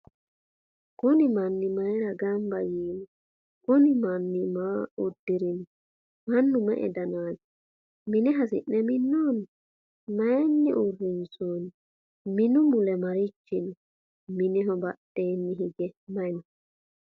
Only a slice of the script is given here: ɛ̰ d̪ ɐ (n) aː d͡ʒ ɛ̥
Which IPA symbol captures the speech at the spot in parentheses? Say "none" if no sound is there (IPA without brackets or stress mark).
n